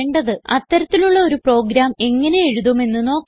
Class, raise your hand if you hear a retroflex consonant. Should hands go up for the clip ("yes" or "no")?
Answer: yes